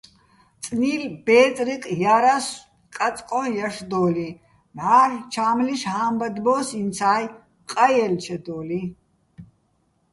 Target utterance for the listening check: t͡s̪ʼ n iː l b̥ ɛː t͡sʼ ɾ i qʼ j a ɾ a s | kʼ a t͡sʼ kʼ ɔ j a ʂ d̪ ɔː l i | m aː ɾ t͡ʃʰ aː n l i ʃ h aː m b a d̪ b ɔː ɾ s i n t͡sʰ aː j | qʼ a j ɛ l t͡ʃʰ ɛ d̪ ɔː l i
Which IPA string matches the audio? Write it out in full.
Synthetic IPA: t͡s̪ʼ n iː l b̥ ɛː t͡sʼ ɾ i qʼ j a ɾ a s | kʼ a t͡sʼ kʼ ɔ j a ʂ d̪ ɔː l i | m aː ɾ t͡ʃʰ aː m l i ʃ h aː m b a d̪ b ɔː s i n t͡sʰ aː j | qʼ a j ɛ l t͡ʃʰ ɛ d̪ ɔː l i